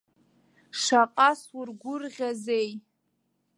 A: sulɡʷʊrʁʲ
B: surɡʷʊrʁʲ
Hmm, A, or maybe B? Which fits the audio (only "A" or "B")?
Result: B